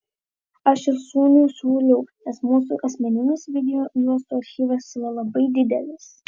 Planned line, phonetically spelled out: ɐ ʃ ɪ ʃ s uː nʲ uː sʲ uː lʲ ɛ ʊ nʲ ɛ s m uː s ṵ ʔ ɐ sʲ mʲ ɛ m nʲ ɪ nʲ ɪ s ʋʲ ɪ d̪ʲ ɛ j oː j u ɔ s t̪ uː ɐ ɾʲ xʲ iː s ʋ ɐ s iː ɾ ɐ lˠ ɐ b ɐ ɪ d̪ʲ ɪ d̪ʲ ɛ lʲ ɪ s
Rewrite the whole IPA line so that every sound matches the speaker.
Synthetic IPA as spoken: ɐ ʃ ɪ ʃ s uː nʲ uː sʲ uː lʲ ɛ ʊ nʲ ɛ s m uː s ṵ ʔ ɐ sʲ mʲ ɛ nʲ ɪ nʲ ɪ s ʋʲ ɪ d̪ʲ ɛ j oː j u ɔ s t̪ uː ɐ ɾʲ xʲ iː ʋ ɐ s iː ɾ ɐ lˠ ɐ b ɐ ɪ d̪ʲ ɪ d̪ʲ ɛ lʲ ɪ s